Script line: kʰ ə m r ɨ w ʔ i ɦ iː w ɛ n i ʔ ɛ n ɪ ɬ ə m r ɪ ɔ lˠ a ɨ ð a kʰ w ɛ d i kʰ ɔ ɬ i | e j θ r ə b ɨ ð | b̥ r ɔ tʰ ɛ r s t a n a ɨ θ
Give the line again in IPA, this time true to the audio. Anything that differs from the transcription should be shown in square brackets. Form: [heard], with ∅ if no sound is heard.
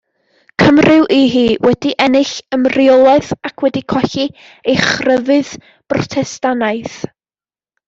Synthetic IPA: kʰ ə m r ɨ w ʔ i ɦ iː w ɛ [d] i ʔ ɛ n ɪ ɬ ə m r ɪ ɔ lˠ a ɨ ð a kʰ w ɛ d i kʰ ɔ ɬ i | e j [χ] r ə [v] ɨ ð | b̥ r ɔ tʰ ɛ [∅] s t a n a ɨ θ